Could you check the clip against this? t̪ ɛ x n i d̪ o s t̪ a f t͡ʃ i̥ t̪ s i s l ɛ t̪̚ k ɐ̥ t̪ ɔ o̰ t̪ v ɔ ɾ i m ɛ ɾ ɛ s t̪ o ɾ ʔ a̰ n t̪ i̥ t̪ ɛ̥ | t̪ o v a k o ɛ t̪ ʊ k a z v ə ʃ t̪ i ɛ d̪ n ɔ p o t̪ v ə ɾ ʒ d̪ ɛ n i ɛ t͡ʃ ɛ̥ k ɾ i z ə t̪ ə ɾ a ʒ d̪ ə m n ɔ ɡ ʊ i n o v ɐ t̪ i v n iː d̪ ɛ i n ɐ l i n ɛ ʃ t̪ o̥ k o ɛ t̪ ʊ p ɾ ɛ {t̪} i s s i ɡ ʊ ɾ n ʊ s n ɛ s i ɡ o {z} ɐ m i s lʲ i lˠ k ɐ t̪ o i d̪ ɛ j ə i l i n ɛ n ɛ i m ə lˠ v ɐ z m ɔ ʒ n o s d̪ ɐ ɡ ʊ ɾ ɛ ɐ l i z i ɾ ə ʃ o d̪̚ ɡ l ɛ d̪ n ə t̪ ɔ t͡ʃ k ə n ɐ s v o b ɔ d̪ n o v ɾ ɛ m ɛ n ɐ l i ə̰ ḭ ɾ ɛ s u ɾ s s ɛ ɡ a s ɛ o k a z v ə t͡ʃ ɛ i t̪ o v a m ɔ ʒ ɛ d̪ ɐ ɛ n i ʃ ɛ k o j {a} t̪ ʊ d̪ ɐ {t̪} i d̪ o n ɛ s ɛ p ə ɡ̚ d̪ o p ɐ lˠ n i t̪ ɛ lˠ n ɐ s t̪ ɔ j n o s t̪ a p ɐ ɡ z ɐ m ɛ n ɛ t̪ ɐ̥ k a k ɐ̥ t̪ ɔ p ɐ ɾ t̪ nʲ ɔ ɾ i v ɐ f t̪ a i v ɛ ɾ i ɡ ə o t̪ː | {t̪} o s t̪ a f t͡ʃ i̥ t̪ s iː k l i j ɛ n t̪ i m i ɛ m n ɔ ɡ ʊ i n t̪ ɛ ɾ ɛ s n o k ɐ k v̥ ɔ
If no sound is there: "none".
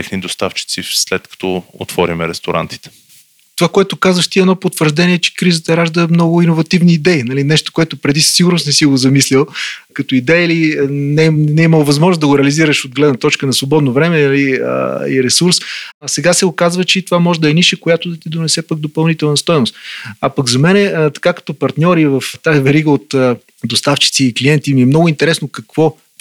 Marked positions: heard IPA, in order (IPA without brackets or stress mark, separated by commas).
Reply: d̪, z, a, t̪, d̪